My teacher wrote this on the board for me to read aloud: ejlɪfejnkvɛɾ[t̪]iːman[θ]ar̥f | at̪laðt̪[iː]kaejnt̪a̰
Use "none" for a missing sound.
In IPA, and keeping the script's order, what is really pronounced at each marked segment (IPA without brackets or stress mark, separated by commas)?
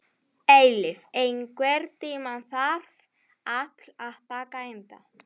t̪, θ, aː